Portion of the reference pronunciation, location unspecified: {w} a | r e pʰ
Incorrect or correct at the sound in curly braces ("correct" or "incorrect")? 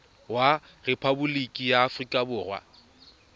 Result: correct